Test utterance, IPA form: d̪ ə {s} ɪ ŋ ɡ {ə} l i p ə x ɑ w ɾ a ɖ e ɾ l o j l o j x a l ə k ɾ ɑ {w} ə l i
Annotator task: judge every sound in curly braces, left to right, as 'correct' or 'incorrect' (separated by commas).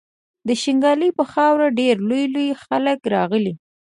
incorrect, incorrect, incorrect